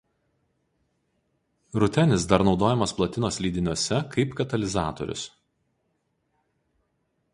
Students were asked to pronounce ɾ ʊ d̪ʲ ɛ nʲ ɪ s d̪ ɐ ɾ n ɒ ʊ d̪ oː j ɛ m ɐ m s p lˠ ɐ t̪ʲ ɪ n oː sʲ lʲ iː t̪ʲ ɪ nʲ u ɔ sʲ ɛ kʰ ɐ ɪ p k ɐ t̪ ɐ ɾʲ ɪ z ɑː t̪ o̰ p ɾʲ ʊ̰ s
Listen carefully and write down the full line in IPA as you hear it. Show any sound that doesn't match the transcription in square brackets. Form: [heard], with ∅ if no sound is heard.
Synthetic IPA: ɾ ʊ [t̪ʲ] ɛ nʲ ɪ s d̪ ɐ ɾ n ɒ ʊ d̪ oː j ɛ m ɐ [∅] s p lˠ ɐ t̪ʲ ɪ n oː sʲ lʲ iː [d̪ʲ] ɪ nʲ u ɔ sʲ ɛ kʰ ɐ ɪ p k ɐ t̪ ɐ [lʲ] ɪ z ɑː t̪ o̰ [∅] ɾʲ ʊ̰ s